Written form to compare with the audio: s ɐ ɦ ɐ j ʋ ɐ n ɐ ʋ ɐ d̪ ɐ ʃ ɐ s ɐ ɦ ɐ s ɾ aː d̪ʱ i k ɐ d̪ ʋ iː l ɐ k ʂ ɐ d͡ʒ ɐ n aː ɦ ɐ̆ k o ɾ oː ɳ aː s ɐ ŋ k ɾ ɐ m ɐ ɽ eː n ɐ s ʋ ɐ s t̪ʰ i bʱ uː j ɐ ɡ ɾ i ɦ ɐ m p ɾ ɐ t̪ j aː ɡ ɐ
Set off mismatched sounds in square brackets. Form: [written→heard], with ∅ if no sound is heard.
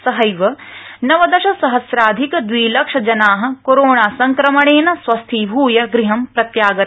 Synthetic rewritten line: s ɐ ɦ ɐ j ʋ ɐ n ɐ ʋ ɐ d̪ ɐ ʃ ɐ s ɐ ɦ ɐ s ɾ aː d̪ʱ i k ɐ d̪ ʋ iː l ɐ k ʂ ɐ d͡ʒ ɐ n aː ɦ ɐ̆ k o ɾ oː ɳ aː s ɐ ŋ k ɾ ɐ m ɐ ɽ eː n ɐ s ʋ ɐ s t̪ʰ i bʱ uː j ɐ ɡ ɾ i ɦ ɐ m p ɾ ɐ t̪ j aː ɡ ɐ